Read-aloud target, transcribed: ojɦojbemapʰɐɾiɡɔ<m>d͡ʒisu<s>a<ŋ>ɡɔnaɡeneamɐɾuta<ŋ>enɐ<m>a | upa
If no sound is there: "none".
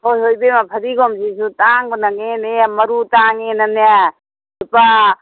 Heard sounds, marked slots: m, t, ŋ, ŋ, n

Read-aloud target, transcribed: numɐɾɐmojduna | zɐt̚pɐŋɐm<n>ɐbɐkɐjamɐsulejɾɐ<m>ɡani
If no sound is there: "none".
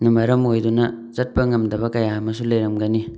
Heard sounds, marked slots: d, m

